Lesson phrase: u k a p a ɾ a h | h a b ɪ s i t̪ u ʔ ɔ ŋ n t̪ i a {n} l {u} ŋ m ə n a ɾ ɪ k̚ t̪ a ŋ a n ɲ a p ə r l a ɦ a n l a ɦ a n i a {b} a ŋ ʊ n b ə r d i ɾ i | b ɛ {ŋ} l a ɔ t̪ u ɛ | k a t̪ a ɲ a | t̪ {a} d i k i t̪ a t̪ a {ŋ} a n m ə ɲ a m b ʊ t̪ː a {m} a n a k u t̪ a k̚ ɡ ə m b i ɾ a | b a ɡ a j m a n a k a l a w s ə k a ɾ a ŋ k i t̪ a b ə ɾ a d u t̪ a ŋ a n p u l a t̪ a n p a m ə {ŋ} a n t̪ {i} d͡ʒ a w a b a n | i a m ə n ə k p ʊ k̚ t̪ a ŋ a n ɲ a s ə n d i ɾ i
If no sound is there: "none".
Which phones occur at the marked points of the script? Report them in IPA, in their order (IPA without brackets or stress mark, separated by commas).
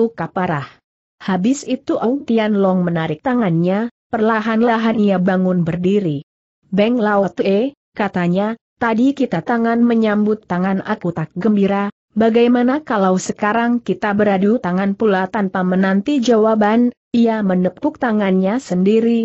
n, ɔ, b, ŋ, a, ŋ, ŋ, n, i